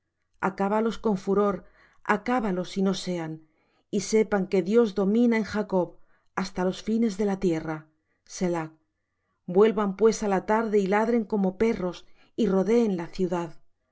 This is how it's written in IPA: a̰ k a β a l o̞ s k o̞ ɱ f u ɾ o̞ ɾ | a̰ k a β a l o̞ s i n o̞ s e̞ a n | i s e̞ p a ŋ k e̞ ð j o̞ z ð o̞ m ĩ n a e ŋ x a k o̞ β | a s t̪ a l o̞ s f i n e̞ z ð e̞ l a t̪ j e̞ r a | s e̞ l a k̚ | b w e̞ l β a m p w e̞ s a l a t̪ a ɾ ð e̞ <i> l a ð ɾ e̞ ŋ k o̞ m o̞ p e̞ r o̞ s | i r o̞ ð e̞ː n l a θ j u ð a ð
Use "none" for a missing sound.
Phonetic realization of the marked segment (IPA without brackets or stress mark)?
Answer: i